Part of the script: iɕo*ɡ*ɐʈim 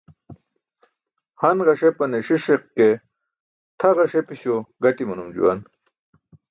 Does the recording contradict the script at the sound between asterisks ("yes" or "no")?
no